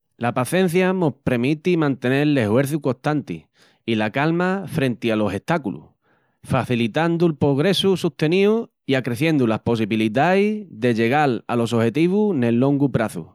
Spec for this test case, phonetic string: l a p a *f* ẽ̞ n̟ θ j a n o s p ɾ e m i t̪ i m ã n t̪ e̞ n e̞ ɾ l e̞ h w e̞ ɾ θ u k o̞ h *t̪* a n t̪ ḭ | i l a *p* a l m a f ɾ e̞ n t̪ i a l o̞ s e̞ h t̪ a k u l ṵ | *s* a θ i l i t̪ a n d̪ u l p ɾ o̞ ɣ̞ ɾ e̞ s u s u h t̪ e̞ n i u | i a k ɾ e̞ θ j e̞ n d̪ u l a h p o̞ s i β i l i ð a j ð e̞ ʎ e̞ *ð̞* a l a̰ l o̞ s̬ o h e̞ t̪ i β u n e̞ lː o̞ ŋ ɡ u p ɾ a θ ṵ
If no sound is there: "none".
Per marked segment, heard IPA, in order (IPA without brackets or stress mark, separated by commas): θ, t̪, k, f, ɣ̞